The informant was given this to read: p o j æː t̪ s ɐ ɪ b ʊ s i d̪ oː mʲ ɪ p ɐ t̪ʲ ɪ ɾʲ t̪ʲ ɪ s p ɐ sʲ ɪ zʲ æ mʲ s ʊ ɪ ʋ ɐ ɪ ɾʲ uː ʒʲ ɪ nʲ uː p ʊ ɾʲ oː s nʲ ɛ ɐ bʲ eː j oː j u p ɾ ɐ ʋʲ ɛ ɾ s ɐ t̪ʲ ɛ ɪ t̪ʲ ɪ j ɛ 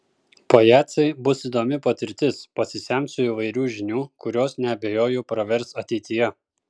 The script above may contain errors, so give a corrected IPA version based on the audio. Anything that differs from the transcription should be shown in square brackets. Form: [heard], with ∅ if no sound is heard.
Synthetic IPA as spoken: p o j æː t̪ s ɐ ɪ b ʊ s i d̪ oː mʲ ɪ p ɐ t̪ʲ ɪ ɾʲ t̪ʲ ɪ s p ɐ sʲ ɪ [sʲ] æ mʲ s ʊ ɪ ʋ ɐ ɪ ɾʲ uː ʒʲ ɪ nʲ uː [k] ʊ ɾʲ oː s nʲ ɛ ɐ bʲ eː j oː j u p ɾ ɐ ʋʲ ɛ ɾ s ɐ t̪ʲ ɛ ɪ t̪ʲ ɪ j ɛ